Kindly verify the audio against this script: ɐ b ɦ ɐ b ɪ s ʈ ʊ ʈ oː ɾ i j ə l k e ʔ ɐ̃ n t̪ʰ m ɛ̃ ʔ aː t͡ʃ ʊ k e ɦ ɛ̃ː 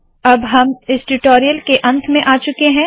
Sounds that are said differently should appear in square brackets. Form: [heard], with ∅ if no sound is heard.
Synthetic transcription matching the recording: ɐ b ɦ ɐ [m] ɪ s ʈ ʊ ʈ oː ɾ i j ə l k e ʔ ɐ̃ n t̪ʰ m [ẽ] ʔ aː t͡ʃ ʊ k e ɦ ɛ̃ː